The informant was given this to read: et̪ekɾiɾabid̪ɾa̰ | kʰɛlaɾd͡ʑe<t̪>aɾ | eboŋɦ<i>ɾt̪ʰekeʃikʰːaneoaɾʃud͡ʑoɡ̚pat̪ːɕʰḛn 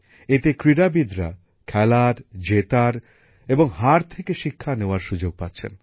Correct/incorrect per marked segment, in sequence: correct, incorrect: a

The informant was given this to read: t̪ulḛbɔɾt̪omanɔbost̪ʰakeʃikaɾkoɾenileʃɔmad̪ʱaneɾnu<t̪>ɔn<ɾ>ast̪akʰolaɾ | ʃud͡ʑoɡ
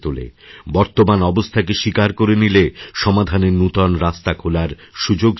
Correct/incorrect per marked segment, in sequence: correct, correct

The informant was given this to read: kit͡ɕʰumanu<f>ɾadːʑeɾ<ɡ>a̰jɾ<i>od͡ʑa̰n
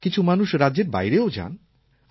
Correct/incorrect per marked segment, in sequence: incorrect: ʃ, incorrect: b, incorrect: e

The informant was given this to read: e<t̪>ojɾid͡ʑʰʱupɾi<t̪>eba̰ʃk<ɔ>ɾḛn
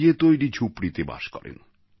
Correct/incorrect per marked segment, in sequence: correct, correct, correct

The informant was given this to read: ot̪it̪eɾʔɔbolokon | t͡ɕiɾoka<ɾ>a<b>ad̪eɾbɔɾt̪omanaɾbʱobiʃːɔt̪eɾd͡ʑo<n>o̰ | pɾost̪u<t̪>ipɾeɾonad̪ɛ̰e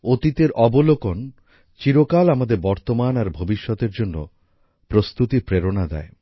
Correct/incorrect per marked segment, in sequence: incorrect: l, incorrect: m, incorrect: nː, correct

